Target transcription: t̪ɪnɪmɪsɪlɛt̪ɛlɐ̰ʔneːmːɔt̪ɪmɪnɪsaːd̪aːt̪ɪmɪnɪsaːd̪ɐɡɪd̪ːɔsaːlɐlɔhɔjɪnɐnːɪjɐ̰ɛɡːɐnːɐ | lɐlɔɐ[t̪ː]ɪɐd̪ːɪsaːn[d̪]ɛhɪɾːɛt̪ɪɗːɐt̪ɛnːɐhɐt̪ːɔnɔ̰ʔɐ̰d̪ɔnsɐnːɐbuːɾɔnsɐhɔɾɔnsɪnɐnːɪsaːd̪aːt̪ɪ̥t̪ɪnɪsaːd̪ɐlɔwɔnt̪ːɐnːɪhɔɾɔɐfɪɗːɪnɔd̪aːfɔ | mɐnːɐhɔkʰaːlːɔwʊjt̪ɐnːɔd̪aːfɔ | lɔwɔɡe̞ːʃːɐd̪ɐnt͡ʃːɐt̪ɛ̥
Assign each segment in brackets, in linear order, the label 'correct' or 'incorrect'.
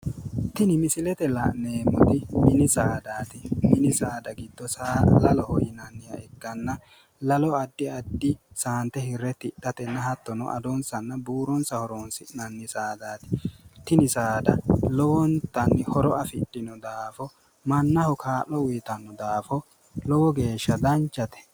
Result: incorrect: d̪ː, incorrect: t̪

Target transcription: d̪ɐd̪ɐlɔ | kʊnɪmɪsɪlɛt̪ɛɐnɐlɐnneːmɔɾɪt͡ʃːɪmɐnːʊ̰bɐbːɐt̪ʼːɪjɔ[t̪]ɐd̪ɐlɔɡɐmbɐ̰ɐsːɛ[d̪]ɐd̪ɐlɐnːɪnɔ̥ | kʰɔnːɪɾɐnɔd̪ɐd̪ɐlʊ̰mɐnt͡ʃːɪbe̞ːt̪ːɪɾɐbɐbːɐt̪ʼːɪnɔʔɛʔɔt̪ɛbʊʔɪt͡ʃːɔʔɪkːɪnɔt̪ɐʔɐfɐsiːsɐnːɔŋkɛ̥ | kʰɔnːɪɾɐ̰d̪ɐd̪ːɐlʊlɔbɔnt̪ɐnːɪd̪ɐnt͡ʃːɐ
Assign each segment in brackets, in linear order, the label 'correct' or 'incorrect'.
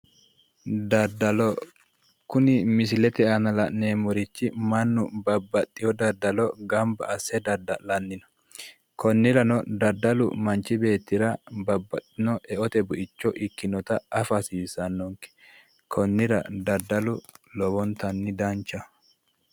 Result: incorrect: d̪, correct

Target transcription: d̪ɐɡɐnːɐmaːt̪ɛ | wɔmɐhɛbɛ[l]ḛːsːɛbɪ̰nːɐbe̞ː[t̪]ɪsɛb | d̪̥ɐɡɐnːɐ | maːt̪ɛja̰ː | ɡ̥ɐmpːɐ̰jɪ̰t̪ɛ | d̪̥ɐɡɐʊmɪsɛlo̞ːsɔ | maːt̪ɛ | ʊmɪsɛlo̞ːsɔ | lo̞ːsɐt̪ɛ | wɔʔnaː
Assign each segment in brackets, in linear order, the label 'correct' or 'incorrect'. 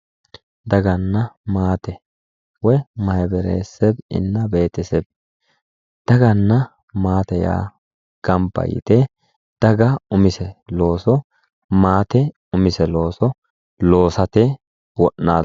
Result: incorrect: ɾ, correct

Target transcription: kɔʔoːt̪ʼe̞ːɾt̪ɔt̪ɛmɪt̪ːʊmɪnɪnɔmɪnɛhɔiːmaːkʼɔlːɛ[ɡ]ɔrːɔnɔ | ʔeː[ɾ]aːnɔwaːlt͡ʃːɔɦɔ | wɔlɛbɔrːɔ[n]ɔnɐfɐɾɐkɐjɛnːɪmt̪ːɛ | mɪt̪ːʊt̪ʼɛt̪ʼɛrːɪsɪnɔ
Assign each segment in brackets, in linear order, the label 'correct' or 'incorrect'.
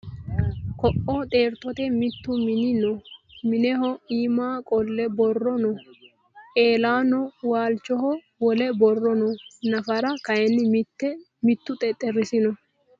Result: incorrect: b, incorrect: l, correct

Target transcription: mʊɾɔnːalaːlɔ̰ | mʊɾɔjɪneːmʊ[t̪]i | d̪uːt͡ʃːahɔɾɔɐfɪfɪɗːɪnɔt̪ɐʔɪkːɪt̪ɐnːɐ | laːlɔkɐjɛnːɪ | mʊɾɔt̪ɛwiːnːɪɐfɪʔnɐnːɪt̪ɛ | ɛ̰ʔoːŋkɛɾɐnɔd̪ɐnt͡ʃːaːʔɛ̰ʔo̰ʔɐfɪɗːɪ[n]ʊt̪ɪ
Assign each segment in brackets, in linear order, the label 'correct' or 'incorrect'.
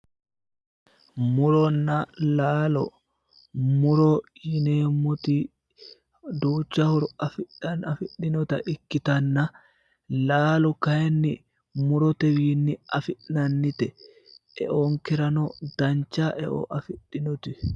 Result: correct, correct

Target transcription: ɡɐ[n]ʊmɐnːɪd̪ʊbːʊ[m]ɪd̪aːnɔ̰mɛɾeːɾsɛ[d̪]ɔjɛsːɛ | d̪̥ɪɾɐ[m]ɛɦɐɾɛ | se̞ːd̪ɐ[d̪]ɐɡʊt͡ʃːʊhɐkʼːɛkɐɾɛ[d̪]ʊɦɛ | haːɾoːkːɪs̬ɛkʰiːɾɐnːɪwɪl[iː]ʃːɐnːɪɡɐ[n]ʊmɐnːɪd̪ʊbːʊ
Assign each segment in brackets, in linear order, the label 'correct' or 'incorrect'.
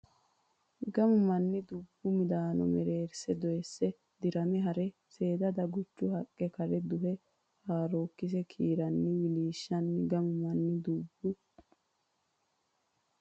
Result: incorrect: m, correct, correct, correct, correct, correct, correct, incorrect: m

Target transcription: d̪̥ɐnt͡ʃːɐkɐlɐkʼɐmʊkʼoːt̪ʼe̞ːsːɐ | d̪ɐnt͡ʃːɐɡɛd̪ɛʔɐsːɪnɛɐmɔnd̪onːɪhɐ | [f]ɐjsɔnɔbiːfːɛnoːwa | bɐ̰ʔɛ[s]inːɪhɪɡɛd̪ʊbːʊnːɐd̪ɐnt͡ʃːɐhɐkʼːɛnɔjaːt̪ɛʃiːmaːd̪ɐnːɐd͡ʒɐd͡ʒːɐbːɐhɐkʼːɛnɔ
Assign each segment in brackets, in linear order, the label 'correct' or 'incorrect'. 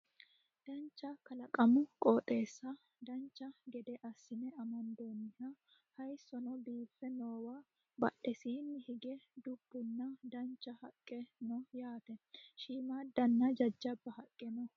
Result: incorrect: h, correct

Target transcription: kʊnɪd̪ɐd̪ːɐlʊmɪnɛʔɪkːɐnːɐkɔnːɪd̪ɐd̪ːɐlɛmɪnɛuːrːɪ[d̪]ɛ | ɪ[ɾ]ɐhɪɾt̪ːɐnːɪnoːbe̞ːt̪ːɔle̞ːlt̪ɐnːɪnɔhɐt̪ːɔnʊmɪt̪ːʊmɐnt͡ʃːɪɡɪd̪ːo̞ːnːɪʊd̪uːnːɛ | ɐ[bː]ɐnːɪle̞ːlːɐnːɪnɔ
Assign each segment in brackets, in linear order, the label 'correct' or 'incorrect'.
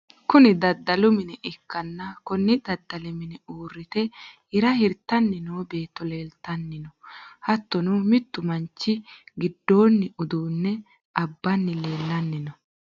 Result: incorrect: t̪, correct, correct

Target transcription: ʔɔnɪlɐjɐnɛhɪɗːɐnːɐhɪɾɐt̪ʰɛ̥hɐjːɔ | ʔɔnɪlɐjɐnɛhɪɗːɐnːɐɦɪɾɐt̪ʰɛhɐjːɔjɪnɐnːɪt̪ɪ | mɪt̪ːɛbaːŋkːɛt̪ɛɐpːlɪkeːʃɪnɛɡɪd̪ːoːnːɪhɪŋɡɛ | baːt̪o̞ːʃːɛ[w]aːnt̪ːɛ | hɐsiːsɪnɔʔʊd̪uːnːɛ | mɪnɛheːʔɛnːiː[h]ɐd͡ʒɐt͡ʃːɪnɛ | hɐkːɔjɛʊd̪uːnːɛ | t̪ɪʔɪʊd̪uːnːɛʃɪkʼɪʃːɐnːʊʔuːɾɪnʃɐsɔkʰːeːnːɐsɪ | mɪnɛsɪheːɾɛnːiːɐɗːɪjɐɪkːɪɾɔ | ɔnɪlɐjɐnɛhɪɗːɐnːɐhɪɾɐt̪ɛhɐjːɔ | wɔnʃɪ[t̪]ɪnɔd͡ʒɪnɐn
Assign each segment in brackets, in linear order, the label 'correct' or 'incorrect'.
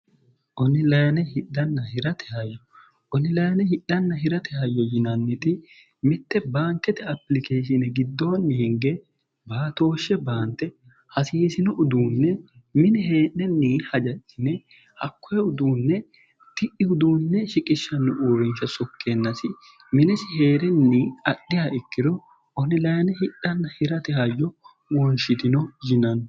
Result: incorrect: b, correct, correct

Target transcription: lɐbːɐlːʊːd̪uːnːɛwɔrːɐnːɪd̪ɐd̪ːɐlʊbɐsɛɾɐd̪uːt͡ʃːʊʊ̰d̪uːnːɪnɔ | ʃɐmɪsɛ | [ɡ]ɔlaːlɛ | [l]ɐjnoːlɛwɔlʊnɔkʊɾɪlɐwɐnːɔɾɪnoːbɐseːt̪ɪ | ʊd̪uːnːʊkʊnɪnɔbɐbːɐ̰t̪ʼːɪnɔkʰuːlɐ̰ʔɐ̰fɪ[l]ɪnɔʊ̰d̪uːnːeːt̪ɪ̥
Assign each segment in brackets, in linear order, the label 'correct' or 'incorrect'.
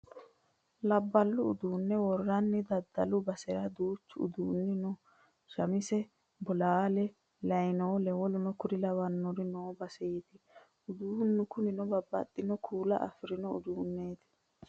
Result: incorrect: b, correct, incorrect: ɾ

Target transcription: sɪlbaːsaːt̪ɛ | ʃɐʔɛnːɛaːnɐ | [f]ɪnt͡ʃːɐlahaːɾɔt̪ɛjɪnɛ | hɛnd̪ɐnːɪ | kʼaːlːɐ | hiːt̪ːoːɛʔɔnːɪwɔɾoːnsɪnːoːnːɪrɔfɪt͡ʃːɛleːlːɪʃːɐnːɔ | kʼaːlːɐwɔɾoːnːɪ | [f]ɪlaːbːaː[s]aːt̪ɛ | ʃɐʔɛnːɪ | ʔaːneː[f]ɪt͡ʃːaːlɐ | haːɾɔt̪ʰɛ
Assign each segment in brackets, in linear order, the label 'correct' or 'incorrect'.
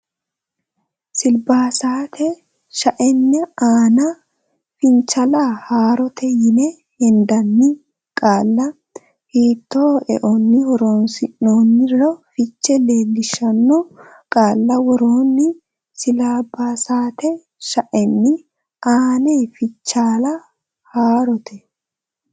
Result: correct, incorrect: s, correct, correct

